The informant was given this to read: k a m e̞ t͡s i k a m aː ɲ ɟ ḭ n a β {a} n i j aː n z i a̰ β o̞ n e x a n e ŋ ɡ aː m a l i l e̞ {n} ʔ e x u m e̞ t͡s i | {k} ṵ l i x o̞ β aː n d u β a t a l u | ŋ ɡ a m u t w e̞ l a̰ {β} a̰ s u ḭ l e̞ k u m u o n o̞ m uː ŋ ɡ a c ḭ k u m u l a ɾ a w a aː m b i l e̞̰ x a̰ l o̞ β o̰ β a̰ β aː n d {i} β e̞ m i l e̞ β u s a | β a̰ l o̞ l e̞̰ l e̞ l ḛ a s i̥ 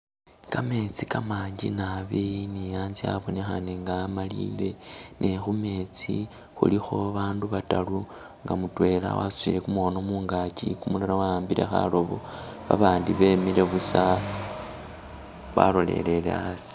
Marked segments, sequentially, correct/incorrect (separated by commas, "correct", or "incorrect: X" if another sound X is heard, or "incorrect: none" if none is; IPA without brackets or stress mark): incorrect: i, correct, incorrect: x, incorrect: w, correct